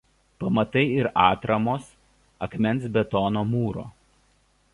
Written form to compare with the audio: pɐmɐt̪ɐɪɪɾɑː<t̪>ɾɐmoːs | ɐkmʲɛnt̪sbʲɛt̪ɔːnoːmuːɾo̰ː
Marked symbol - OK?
yes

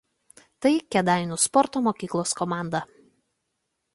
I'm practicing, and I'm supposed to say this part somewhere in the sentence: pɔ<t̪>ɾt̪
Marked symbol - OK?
no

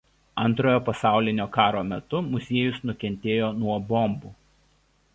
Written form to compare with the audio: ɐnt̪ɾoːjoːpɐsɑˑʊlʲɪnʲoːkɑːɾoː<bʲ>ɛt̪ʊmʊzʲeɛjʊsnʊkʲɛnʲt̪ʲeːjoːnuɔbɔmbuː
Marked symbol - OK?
no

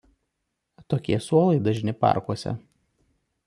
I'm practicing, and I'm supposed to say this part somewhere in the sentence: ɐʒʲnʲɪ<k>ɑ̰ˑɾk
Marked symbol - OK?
no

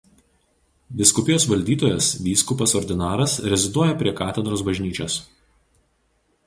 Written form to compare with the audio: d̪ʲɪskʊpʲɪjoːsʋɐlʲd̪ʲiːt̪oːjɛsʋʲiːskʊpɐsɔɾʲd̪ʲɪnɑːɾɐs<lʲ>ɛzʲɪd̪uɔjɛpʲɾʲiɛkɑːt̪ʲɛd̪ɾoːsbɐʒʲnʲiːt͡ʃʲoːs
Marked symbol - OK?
no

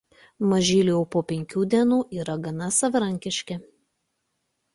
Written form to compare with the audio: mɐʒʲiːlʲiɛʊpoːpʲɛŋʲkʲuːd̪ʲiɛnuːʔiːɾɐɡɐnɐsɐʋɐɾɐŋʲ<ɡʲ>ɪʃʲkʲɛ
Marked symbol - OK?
no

